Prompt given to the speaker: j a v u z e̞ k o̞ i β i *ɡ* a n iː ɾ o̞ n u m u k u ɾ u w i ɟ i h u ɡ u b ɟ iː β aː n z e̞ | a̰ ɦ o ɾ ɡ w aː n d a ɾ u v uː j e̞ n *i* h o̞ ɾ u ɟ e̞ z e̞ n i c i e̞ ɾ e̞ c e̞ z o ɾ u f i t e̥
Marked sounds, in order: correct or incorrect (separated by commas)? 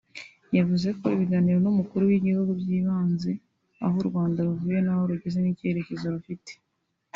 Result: correct, incorrect